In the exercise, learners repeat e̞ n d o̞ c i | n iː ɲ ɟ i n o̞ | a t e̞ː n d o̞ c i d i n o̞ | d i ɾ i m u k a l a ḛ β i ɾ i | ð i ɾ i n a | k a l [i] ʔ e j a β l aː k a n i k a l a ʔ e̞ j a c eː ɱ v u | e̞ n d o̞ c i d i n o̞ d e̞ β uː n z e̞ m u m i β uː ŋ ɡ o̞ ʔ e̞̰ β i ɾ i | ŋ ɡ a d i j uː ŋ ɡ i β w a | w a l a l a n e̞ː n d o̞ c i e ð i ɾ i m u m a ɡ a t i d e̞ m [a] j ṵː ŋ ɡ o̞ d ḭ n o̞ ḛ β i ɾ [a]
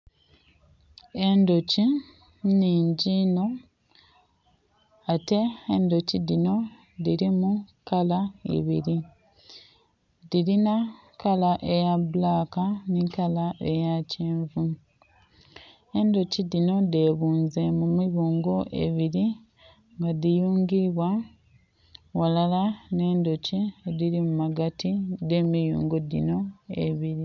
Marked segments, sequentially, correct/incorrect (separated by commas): incorrect, incorrect, incorrect